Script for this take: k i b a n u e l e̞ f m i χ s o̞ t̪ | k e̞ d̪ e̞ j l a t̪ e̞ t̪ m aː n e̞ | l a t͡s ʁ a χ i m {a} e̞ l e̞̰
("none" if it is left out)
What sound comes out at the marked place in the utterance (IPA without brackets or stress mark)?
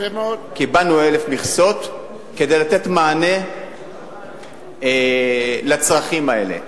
a